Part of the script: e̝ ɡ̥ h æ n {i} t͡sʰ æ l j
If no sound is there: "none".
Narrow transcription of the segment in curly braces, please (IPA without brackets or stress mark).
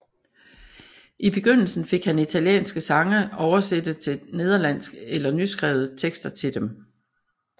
i